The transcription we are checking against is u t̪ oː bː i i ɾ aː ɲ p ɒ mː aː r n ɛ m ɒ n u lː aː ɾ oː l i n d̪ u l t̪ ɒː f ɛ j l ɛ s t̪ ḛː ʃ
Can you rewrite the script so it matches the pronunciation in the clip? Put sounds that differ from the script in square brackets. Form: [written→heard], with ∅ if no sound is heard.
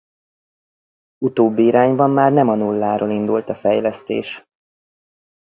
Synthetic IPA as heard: u t̪ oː bː i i ɾ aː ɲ [p→b] ɒ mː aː r n ɛ m ɒ n u lː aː ɾ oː l i n d̪ u l t̪ [ɒː→ɒ] f ɛ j l ɛ s t̪ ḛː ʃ